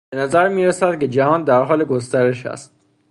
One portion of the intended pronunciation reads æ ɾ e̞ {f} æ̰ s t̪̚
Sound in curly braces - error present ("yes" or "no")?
yes